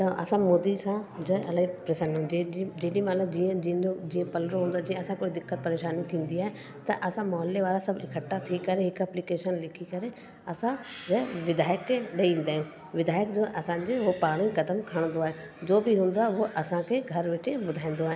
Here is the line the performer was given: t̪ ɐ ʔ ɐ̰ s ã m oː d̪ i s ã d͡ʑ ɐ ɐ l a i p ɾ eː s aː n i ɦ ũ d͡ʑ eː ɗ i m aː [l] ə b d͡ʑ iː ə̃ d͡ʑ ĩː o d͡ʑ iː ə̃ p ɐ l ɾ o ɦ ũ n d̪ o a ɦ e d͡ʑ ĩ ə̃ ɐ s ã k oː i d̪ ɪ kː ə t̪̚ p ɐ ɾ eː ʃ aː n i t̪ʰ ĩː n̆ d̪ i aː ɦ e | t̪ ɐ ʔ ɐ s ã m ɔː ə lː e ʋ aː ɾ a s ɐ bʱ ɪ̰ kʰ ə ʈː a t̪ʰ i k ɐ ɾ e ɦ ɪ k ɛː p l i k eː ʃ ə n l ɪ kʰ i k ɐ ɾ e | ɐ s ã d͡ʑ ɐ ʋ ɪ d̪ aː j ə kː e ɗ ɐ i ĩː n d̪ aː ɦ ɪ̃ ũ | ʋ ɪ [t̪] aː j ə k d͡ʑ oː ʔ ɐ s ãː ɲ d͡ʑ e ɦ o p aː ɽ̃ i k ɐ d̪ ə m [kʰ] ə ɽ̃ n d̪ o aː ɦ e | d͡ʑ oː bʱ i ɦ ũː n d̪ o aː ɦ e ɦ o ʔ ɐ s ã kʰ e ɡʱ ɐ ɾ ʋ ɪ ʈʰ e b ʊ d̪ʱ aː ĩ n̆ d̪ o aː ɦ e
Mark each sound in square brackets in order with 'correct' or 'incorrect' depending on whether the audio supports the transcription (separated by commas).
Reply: correct, incorrect, correct